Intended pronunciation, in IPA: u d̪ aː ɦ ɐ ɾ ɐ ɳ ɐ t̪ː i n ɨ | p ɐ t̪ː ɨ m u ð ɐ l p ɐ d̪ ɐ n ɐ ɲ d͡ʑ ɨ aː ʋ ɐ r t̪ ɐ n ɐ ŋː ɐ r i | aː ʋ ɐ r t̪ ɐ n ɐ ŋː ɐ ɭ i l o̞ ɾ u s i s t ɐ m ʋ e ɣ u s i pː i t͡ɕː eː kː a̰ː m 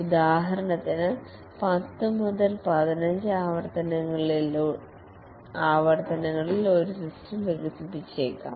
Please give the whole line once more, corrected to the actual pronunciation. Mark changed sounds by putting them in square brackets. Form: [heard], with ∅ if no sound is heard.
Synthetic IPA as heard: u d̪ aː ɦ ɐ ɾ ɐ ɳ ɐ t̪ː i n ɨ | p ɐ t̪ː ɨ m u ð ɐ l p ɐ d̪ ɐ n ɐ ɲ d͡ʑ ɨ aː ʋ ɐ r t̪ ɐ n ɐ ŋː ɐ [ɭ] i | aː ʋ ɐ r t̪ ɐ n ɐ ŋː ɐ ɭ i l o̞ ɾ u s i s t ɐ m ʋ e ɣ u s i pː i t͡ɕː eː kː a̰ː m

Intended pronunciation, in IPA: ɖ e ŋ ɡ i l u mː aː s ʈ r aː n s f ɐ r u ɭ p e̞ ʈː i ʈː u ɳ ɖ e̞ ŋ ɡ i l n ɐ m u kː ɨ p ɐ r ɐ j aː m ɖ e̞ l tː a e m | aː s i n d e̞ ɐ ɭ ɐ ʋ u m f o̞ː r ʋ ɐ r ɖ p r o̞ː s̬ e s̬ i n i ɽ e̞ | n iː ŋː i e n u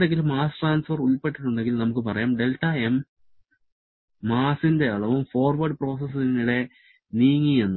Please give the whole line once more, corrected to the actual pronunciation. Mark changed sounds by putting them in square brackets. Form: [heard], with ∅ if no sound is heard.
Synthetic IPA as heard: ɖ e ŋ ɡ i l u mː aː s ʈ r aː n s f ɐ r u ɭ p e̞ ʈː i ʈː u ɳ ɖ e̞ ŋ ɡ i l n ɐ m u kː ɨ p ɐ r ɐ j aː m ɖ e̞ l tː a e m | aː s i n d e̞ ɐ ɭ ɐ ʋ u m f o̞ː r ʋ ɐ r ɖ p r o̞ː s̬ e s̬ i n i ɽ e̞ | n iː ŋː i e [nː] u

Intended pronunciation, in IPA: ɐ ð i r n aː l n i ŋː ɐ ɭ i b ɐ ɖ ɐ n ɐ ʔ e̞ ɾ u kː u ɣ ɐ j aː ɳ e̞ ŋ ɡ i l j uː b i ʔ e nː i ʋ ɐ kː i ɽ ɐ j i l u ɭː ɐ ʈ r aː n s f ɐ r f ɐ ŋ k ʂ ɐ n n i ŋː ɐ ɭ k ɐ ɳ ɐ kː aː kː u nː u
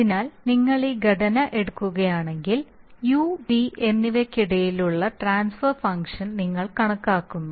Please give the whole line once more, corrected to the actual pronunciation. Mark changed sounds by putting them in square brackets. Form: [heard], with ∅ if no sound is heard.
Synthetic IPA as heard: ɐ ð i [∅] n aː l n i ŋː ɐ ɭ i [ɡ] ɐ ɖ ɐ n ɐ ʔ e̞ [ɽ] u kː u ɣ ɐ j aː ɳ e̞ ŋ ɡ i l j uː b i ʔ e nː i ʋ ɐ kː i ɽ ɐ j i l u ɭː ɐ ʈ r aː n s f ɐ r f ɐ ŋ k ʂ ɐ n n i ŋː ɐ ɭ k ɐ ɳ ɐ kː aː kː u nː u

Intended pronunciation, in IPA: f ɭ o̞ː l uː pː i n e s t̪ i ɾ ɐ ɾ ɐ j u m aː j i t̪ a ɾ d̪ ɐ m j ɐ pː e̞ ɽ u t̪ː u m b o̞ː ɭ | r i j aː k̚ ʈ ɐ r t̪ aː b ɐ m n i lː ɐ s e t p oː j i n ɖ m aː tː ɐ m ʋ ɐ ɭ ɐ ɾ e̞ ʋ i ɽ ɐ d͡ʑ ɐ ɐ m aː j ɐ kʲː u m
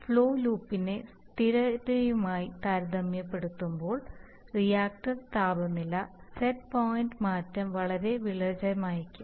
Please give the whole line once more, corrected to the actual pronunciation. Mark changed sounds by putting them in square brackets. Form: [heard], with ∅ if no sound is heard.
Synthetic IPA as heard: f ɭ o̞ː l uː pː i n e s t̪ i ɾ ɐ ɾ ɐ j u m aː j i t̪ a ɾ d̪ ɐ m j ɐ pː e̞ ɽ u t̪ː u m b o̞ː ɭ | r i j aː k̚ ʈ ɐ r t̪ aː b ɐ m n i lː ɐ s e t p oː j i n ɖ m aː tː ɐ m ʋ ɐ ɭ ɐ ɾ e̞ ʋ i [ɭ] ɐ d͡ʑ ɐ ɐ m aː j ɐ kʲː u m

